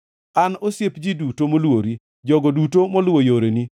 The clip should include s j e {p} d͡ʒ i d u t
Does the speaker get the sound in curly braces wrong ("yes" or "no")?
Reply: no